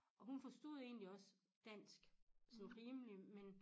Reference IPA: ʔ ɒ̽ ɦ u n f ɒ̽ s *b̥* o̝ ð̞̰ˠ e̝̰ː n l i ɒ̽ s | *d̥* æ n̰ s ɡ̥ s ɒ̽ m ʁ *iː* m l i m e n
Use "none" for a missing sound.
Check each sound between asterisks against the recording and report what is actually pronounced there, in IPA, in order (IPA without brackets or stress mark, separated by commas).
d̥, d̥, iː